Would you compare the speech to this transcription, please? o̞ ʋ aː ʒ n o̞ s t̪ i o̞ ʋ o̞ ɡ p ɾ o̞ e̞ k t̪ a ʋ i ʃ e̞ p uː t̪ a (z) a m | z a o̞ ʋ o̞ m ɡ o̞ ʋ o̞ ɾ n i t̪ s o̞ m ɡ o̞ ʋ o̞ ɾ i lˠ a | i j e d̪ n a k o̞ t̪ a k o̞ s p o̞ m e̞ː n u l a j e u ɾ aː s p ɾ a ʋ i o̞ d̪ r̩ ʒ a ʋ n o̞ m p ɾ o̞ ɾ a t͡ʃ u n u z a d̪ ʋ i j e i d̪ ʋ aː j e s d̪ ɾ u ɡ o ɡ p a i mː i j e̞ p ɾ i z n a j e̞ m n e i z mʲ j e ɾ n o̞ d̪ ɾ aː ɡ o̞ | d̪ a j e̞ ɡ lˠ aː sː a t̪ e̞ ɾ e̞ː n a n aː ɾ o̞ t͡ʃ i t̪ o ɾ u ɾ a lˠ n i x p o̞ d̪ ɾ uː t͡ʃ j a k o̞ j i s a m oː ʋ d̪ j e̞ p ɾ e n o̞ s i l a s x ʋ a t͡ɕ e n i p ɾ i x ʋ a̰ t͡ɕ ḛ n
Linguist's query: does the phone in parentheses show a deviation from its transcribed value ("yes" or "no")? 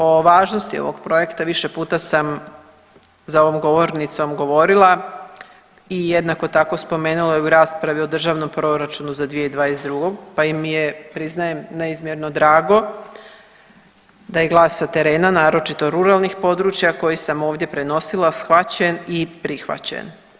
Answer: yes